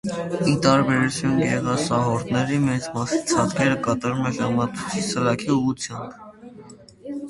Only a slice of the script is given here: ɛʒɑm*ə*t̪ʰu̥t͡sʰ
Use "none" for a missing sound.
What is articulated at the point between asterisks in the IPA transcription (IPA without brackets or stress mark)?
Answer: ɑ